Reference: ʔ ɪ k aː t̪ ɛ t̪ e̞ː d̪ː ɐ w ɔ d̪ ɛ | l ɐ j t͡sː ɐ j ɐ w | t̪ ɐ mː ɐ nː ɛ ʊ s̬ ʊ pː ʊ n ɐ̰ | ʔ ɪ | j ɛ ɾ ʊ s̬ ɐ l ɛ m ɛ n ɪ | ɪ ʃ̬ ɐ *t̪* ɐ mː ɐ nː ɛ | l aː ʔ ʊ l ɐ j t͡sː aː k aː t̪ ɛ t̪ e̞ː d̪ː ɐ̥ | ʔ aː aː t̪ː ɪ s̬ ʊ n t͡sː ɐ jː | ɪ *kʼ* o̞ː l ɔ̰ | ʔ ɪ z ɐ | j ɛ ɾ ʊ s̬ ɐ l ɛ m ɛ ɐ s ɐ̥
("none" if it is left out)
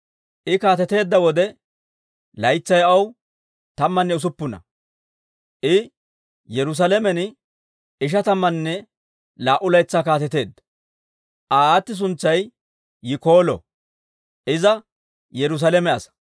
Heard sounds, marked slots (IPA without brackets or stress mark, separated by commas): t̪, k